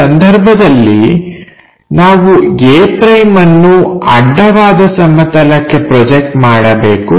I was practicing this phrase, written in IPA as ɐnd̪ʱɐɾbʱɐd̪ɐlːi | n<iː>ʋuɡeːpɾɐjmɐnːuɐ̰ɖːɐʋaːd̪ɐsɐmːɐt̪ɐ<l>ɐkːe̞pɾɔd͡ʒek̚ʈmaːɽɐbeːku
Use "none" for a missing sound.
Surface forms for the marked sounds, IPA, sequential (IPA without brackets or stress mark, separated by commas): aː, l